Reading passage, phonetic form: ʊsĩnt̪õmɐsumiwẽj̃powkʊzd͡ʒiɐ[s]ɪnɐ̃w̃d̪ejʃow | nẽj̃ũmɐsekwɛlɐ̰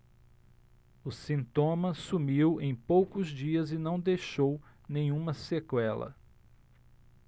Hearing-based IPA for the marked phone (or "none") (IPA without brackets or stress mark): z